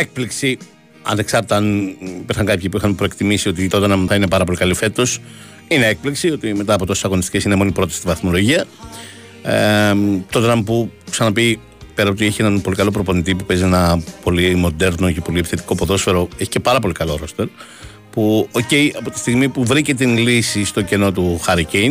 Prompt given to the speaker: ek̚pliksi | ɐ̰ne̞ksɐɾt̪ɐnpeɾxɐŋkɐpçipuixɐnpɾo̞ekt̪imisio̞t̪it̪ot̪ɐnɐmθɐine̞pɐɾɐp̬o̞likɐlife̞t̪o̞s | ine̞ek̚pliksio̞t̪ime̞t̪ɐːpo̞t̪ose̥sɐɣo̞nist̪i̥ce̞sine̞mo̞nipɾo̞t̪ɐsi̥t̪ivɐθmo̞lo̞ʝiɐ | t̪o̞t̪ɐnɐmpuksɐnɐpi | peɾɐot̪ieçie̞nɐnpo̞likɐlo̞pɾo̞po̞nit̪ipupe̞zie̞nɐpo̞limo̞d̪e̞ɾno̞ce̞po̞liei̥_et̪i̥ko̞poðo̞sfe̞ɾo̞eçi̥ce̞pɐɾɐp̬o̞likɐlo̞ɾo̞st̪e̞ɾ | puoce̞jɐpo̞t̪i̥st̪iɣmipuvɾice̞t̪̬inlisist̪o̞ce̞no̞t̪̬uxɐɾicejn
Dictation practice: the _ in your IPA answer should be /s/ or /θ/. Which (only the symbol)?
θ